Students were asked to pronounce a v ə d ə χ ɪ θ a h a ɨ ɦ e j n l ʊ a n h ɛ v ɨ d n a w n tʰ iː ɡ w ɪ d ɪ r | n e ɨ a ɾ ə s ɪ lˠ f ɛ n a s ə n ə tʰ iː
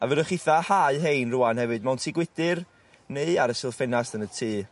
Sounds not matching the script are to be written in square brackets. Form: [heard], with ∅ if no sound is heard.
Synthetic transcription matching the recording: a v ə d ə χ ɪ θ a h a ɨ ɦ e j n [r] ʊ a n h ɛ v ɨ d [m] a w n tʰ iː ɡ w ɪ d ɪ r | n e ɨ a ɾ ə s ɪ lˠ f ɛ n a s ə n ə tʰ iː